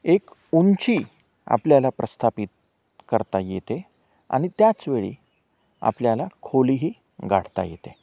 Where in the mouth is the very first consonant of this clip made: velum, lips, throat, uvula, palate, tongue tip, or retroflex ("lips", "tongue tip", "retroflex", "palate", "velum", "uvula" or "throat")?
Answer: velum